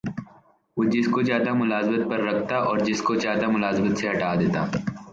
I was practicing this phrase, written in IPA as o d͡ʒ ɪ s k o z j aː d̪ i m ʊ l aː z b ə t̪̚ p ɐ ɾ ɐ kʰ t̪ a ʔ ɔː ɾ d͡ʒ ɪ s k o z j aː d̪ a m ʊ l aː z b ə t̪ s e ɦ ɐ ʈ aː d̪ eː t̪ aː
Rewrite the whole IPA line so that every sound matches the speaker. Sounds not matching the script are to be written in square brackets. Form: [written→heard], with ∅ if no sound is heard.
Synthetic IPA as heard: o d͡ʒ ɪ s k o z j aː d̪ [i→a] m ʊ l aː z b ə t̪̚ p ɐ [ɾ→ɾː] ɐ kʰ t̪ a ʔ ɔː ɾ d͡ʒ ɪ s k o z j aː d̪ a m ʊ l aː z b ə t̪ s e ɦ ɐ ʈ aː d̪ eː t̪ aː